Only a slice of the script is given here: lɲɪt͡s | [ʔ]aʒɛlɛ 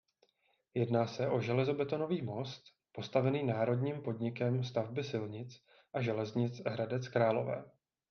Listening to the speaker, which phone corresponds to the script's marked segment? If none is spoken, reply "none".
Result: ʔ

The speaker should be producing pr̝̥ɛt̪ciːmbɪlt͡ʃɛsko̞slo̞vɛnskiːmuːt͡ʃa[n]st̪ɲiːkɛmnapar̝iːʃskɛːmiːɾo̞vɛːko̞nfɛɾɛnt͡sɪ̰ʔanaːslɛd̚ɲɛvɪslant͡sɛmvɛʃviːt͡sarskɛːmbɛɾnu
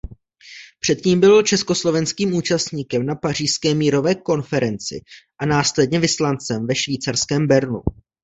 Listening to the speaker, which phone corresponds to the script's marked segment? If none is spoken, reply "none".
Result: none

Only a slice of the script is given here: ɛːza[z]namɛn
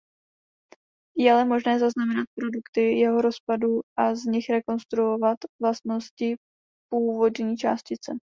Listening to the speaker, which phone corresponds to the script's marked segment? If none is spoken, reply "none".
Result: z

